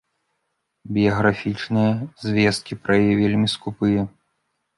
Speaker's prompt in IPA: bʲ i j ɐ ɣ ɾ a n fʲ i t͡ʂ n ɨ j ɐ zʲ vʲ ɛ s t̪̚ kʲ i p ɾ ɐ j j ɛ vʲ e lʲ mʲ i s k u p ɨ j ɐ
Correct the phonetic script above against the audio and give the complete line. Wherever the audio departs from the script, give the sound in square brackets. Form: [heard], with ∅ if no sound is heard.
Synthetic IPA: bʲ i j ɐ ɣ ɾ a [∅] fʲ i t͡ʂ n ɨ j ɐ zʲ vʲ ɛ s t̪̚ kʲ i p ɾ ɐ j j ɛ vʲ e lʲ mʲ i s k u p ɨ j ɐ